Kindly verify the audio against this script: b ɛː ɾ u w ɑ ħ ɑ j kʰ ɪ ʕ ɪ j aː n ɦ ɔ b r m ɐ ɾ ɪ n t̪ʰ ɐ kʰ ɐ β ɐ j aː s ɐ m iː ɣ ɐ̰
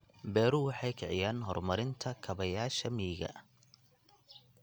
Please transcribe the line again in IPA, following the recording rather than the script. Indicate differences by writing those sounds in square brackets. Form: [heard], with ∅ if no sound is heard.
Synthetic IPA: b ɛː ɾ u w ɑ ħ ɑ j kʰ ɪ ʕ ɪ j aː n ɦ ɔ [∅] r m ɐ ɾ ɪ n t̪ʰ ɐ kʰ ɐ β ɐ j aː [ʃ] ɐ m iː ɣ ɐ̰